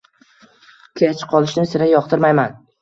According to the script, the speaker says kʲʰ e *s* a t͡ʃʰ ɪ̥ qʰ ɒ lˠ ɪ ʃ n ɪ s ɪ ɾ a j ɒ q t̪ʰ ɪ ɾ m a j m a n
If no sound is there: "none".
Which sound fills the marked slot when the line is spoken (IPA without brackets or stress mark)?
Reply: none